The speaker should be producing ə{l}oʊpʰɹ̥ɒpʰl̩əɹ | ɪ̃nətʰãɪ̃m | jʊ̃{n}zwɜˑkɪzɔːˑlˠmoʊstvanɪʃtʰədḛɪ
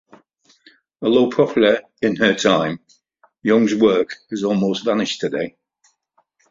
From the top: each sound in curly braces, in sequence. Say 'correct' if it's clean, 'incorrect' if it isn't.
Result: correct, incorrect

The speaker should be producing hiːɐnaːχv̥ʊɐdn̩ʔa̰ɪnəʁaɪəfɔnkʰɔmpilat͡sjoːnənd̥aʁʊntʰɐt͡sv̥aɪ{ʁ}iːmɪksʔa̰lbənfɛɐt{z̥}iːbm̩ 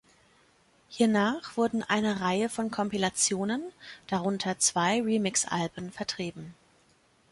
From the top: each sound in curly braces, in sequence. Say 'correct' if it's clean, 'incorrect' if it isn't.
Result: correct, incorrect

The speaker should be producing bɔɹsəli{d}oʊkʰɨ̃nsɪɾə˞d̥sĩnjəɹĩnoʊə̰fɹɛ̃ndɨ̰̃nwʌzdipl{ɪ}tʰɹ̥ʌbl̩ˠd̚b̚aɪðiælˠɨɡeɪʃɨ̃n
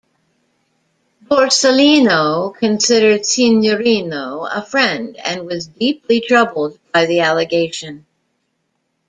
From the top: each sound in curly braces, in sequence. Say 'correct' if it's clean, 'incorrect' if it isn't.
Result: incorrect, incorrect

